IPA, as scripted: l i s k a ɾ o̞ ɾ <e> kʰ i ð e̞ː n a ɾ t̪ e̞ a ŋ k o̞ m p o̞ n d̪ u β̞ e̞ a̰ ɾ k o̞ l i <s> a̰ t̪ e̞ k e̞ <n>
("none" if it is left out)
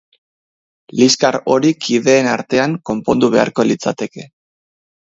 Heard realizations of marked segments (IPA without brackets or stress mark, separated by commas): i, t͡s, none